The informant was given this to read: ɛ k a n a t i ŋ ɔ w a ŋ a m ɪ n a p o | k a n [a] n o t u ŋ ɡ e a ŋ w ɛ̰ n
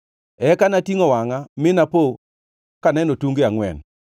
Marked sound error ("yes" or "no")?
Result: yes